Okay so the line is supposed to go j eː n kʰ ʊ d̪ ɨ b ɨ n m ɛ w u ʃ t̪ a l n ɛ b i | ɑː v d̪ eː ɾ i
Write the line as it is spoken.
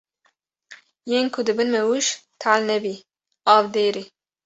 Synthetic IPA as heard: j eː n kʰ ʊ d̪ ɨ b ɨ n m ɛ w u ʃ t̪ʰ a l n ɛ b i | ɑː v d̪ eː ɾ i